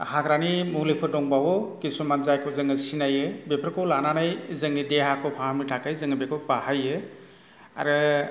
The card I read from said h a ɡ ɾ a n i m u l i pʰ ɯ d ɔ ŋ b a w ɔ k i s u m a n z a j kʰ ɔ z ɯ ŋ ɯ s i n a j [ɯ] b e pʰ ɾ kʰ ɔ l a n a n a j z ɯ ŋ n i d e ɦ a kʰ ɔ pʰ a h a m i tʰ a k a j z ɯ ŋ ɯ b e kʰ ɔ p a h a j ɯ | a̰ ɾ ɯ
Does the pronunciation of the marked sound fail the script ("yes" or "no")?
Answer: no